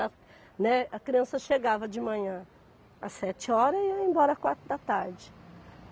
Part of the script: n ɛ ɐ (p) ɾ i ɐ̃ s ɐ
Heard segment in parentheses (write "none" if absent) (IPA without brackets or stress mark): k